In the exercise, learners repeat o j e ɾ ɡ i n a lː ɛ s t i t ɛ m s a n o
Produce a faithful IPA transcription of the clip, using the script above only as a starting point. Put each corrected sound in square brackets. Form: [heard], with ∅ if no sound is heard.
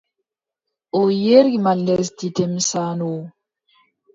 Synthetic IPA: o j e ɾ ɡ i [m] a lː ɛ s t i t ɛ m s a n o